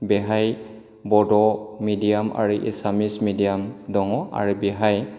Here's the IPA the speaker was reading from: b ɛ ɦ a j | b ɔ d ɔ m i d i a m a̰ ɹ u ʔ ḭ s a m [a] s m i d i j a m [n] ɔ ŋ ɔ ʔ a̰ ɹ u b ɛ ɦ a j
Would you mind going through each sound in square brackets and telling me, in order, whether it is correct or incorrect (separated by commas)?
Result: incorrect, incorrect